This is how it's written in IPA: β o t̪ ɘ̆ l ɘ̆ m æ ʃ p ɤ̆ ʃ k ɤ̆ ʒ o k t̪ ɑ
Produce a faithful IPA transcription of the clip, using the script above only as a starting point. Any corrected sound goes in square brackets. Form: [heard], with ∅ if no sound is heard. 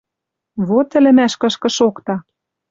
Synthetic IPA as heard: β o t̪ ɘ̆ l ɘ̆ m æ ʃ [k] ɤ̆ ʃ k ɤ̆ [ʃ] o k t̪ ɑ